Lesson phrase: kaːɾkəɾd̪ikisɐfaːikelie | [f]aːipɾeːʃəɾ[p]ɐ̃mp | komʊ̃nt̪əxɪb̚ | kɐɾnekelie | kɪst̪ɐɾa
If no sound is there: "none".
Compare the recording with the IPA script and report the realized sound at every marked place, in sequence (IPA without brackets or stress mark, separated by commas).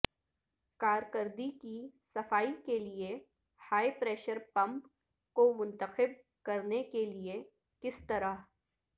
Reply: h, p